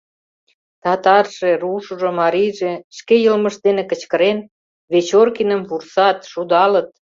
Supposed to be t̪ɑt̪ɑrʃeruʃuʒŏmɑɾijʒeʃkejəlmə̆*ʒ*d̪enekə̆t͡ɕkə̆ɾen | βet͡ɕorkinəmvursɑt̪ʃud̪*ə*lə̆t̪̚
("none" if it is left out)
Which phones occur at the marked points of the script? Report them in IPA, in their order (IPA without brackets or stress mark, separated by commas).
ʃ, ɑ